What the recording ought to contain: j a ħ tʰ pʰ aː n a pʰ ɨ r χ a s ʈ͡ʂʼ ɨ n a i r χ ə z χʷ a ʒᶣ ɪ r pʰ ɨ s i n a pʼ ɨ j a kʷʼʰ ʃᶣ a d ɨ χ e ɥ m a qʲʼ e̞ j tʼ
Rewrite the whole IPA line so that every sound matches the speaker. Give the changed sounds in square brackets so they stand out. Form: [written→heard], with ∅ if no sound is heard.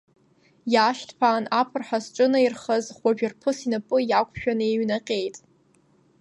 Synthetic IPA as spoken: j a [ħ→ʃ] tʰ pʰ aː n a pʰ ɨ r [χ→ħ] a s ʈ͡ʂʼ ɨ n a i r χ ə z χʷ a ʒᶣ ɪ r pʰ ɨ s i n a pʼ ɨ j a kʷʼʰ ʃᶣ a [d→n] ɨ [χ→∅] e ɥ [m→n] a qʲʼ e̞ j tʼ